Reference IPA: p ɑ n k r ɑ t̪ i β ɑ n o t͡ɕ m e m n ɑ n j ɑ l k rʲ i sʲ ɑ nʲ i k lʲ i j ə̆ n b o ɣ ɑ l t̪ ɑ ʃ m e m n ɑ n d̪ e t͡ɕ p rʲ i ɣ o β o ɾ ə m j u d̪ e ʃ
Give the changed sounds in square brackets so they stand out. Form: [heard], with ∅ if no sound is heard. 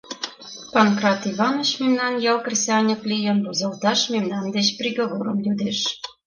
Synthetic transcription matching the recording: p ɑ n k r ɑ t̪ i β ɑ n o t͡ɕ m e m n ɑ n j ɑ l k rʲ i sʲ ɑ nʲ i k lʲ i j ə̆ n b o [z] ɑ l t̪ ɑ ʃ m e m n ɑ n d̪ e t͡ɕ p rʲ i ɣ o β o ɾ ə m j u d̪ e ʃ